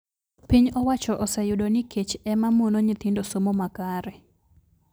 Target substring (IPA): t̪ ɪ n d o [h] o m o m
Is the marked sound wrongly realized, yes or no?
yes